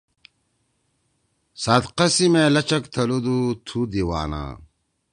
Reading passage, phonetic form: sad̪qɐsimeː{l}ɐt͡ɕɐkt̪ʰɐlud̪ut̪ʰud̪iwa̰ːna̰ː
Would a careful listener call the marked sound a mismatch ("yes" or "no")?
no